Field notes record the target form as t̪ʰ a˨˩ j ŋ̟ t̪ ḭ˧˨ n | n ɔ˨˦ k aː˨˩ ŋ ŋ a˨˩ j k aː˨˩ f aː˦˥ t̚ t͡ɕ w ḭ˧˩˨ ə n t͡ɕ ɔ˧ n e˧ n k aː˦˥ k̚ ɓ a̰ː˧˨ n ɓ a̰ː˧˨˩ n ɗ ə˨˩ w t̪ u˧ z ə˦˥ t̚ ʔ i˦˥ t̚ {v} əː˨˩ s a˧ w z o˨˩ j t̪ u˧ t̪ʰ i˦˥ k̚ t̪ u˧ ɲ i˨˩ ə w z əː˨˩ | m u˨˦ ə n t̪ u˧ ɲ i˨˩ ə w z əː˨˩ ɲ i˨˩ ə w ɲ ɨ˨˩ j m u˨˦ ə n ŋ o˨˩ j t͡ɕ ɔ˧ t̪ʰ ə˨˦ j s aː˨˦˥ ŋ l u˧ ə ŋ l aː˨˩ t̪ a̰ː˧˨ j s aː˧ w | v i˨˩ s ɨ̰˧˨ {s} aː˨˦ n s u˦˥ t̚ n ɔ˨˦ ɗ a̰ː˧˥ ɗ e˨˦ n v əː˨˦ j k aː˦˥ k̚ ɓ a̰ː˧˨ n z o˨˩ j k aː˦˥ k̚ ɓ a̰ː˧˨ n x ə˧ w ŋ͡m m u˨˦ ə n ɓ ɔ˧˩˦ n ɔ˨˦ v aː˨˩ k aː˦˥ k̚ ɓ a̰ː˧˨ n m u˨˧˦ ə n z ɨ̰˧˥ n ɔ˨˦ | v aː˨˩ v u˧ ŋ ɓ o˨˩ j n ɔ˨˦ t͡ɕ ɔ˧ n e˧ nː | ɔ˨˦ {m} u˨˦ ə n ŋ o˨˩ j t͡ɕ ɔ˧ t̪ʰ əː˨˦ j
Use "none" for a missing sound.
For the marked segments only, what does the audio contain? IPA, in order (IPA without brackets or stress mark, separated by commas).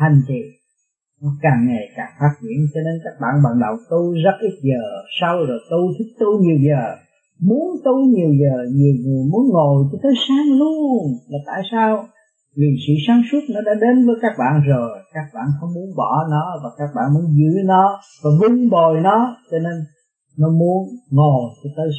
z, s, m